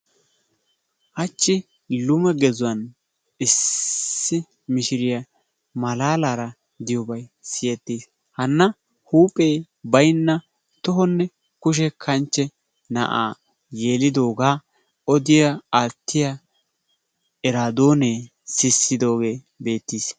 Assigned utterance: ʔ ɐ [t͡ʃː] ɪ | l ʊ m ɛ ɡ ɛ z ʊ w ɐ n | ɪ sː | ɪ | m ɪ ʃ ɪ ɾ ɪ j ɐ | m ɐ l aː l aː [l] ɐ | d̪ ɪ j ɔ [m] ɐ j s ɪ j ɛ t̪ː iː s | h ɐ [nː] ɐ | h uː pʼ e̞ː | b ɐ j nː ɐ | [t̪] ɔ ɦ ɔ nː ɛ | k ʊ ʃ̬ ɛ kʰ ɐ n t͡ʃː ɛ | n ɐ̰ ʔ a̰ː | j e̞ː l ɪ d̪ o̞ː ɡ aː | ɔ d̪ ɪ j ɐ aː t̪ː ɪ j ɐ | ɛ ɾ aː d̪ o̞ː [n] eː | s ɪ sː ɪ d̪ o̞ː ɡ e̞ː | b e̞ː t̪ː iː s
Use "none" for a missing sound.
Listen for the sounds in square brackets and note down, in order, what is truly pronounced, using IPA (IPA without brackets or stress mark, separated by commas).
t͡ʃː, ɾ, b, nː, t̪, n